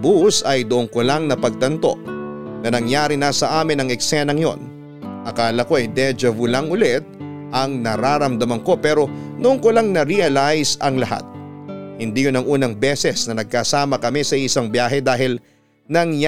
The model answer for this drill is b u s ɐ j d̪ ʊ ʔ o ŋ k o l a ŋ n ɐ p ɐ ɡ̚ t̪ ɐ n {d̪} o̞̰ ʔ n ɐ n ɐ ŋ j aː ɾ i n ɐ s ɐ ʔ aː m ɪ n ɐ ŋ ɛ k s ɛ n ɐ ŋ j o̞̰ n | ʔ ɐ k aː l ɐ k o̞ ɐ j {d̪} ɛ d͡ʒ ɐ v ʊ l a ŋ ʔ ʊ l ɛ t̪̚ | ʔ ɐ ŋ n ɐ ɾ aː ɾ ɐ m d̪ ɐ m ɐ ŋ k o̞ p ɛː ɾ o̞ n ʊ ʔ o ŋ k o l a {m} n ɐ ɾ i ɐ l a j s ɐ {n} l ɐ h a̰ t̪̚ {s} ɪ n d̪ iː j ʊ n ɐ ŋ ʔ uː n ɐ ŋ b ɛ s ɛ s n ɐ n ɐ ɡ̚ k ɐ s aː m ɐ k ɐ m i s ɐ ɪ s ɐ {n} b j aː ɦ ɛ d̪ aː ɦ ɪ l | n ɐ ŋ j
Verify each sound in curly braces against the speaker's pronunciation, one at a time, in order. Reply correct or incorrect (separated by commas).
incorrect, correct, incorrect, incorrect, incorrect, incorrect